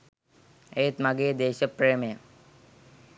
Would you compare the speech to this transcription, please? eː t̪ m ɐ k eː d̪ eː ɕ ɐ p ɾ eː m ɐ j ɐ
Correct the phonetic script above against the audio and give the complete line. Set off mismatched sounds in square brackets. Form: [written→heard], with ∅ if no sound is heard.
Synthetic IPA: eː t̪ m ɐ [k→ɡ] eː d̪ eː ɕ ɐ p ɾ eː m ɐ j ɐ